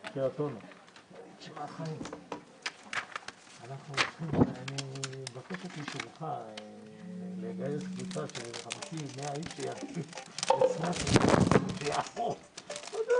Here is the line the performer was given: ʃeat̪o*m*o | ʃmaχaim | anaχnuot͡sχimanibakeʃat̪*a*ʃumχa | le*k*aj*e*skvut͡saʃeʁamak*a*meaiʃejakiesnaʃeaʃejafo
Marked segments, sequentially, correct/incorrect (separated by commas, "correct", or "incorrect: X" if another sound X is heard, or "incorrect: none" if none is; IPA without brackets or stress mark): incorrect: n, incorrect: i, incorrect: ɡ, correct, incorrect: i